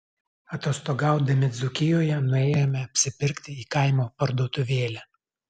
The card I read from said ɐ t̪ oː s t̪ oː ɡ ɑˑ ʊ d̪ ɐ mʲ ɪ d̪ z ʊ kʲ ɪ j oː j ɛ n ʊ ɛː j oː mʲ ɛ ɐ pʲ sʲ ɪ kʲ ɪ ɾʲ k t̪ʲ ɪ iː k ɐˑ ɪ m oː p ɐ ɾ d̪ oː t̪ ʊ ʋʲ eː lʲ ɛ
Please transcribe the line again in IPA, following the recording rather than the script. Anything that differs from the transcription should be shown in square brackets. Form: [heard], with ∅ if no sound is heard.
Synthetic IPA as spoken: ɐ t̪ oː s t̪ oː ɡ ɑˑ ʊ d̪ ɐ mʲ ɪ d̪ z ʊ kʲ ɪ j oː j ɛ n ʊ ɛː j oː mʲ ɛ ɐ pʲ sʲ ɪ [pʲ] ɪ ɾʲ k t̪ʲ ɪ iː k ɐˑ ɪ m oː p ɐ ɾ d̪ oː t̪ ʊ ʋʲ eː lʲ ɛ